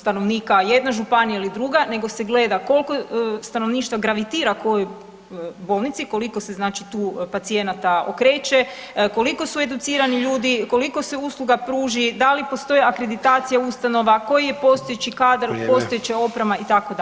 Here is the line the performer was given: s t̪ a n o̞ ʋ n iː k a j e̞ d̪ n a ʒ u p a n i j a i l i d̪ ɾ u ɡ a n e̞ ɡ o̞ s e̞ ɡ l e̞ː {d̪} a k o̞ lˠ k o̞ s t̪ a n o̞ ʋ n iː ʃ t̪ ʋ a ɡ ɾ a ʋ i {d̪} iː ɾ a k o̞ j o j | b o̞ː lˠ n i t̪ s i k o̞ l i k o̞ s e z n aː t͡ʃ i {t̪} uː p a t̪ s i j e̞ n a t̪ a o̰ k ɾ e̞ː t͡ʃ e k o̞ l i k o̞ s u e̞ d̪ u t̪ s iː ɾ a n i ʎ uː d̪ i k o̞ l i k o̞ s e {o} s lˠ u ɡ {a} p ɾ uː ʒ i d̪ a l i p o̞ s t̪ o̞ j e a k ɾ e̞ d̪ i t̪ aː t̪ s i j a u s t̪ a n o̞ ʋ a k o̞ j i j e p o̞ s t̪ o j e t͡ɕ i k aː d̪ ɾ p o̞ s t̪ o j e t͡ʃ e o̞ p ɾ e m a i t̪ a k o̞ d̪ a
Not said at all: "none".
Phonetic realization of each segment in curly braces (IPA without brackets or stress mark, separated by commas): d̪, t̪, t̪, u, a